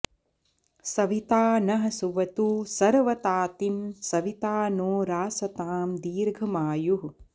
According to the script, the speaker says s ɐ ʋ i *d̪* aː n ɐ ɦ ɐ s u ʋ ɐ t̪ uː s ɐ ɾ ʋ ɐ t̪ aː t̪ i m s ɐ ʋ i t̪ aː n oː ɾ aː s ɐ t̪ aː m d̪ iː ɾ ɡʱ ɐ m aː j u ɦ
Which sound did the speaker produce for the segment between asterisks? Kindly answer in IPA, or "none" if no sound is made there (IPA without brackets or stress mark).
t̪